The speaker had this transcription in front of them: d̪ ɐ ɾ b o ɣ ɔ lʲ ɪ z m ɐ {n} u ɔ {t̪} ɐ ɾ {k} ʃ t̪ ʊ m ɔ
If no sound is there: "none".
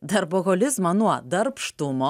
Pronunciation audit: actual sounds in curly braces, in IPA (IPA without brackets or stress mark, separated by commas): n, d̪, p